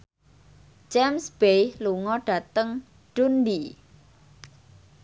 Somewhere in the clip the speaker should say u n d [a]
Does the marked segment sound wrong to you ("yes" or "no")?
yes